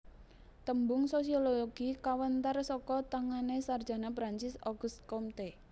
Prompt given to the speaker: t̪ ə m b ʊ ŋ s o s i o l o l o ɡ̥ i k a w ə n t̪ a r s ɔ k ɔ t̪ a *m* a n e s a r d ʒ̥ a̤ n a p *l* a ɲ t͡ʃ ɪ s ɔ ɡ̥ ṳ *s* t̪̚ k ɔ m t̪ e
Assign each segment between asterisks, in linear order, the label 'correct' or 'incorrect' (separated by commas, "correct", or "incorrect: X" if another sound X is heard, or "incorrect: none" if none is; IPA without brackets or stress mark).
incorrect: ŋ, incorrect: ɾ, correct